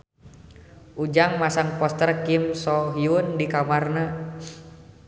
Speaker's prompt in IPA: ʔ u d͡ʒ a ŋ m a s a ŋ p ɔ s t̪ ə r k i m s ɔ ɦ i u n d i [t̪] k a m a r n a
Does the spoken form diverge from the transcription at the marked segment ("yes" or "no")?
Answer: yes